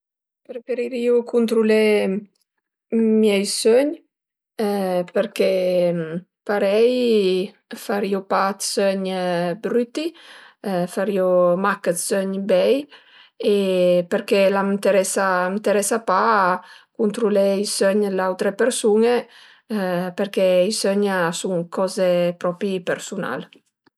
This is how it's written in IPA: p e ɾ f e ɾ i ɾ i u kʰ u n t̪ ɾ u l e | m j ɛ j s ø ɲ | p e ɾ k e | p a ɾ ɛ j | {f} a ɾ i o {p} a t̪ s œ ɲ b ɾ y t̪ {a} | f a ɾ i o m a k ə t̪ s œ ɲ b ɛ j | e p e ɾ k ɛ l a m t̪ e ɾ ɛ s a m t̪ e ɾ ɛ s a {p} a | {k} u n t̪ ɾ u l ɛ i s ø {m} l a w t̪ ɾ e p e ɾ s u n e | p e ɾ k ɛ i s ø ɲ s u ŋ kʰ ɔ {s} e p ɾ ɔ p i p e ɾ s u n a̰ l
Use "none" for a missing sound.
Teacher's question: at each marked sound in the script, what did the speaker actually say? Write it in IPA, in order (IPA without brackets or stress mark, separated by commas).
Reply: f, p, i, p, k, ɲ, z